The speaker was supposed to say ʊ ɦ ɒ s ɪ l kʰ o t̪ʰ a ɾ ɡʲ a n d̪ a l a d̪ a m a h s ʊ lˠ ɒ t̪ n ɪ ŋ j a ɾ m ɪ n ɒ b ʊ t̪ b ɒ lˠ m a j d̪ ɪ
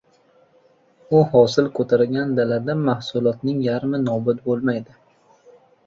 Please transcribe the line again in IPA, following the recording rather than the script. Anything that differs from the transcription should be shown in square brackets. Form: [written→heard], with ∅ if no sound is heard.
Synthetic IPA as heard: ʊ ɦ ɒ s ɪ l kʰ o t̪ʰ a ɾ ɡʲ a n d̪ a l a d̪ a m a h s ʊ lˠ ɒ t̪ n ɪ ŋ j a ɾ m ɪ n ɒ b ʊ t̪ b [ɒ→o] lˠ m a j d̪ ɪ